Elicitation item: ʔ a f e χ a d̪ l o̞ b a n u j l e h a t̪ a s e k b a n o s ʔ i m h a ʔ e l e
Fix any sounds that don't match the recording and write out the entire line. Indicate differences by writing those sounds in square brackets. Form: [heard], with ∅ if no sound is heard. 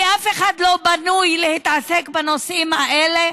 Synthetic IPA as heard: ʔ a f e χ a d̪ l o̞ b a n u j l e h [i] t̪ a s e k b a n o s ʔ i m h a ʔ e l e

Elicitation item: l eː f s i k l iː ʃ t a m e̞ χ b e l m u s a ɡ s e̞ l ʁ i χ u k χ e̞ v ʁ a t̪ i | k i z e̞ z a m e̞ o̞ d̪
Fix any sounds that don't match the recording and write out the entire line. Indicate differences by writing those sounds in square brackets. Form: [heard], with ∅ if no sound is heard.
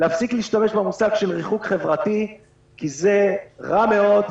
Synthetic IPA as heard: l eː f s i k l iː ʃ t a m e̞ [ʃ] b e [∅] m u s a ɡ [ʃ] e̞ l ʁ i χ u k χ e̞ v ʁ a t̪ i | k i z e̞ [ʁ] a m e̞ o̞ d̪

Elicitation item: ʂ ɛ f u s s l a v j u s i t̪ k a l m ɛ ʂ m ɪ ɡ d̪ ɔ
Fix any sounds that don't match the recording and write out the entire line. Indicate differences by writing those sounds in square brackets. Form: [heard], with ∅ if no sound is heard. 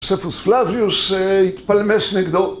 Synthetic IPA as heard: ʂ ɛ f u s [f] l a v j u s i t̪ [p] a l m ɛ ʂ [n] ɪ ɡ d̪ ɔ

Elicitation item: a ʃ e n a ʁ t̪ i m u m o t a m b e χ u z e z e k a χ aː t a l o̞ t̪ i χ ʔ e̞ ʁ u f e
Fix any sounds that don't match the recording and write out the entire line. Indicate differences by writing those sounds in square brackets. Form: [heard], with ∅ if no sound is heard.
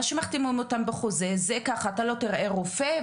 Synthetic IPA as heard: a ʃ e [m] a [χ] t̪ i m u m o t a m b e χ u z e z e k a χ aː t a l o̞ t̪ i [ʁ] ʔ e̞ ʁ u f e

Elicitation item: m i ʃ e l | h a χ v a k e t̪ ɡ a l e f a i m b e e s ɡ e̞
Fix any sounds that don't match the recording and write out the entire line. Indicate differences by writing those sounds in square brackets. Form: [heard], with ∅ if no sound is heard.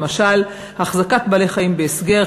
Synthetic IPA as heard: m [a] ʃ [a] l | h a χ [z] a k [a] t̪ [b] a l e [χ] a i m b e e s ɡ e̞

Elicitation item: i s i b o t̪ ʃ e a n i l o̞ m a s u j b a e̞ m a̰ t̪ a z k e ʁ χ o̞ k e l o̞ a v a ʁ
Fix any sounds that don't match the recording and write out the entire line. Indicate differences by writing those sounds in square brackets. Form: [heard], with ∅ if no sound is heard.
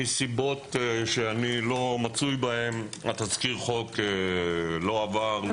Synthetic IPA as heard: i s i b o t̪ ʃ e a n i l o̞ m a [t͡s] u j b a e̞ m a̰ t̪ a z k [i] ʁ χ o̞ k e l o̞ a v a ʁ

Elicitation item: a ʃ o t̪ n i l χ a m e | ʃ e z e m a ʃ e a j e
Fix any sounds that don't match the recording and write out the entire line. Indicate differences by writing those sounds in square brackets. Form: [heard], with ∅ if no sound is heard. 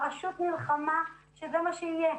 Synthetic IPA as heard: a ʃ [u] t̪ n i l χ a m [a] | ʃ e z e m a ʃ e [i] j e

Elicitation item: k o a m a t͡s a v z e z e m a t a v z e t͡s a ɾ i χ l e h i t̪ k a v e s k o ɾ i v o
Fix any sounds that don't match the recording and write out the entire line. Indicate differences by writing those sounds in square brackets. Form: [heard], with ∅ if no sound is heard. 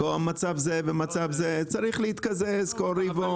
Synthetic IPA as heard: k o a m a t͡s a v z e [v] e m a [t͡s] a v z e t͡s a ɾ i χ l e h i t̪ k a [z] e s k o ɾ i v o

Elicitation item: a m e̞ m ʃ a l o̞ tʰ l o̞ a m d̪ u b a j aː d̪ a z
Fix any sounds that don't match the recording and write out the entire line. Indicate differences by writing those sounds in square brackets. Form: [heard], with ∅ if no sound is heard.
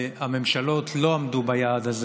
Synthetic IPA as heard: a m e̞ m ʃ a l o̞ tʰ l o̞ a m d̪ u b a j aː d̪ a z

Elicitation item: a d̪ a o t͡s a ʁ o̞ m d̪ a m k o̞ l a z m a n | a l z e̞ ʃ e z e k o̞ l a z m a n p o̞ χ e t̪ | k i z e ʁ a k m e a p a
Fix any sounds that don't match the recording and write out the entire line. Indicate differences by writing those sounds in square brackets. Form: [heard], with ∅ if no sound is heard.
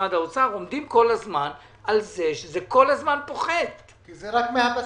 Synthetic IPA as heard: a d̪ a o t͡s a ʁ o̞ m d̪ [i] m k o̞ l a z m a n | a l z e̞ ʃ e z e k o̞ l a z m a n p o̞ χ e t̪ | k i z e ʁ a k m e a p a

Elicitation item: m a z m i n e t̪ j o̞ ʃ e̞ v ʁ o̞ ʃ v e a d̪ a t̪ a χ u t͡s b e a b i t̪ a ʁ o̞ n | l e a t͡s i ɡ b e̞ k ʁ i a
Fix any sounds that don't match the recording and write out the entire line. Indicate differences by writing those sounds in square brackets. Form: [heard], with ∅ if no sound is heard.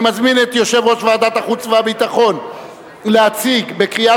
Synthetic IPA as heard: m a z m i n e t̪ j o̞ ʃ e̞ v ʁ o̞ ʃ v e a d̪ a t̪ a χ u t͡s [v] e a b i t̪ a [χ] o̞ n | l e a t͡s i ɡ b e̞ k ʁ i a

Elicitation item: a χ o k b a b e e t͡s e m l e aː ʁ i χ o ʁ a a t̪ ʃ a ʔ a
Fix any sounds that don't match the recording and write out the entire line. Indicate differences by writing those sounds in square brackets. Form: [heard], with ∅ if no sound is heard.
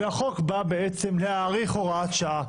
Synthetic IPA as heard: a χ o k b a b e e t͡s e m l e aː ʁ i χ o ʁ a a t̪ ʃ a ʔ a

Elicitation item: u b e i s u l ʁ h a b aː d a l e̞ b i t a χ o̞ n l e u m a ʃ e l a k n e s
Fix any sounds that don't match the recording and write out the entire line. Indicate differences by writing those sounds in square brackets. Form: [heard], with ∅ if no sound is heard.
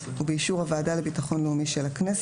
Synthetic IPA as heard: u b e i [ʃ] u [∅] ʁ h a [v] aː d a l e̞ b i t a χ o̞ n l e u m [i] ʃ e l a k n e s

